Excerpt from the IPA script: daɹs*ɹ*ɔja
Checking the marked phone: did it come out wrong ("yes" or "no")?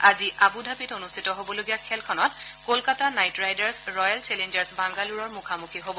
no